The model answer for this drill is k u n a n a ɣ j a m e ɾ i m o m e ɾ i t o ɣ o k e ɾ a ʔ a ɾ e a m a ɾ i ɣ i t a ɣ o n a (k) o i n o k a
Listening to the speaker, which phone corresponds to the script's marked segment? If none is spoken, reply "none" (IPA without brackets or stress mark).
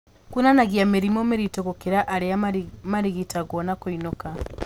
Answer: k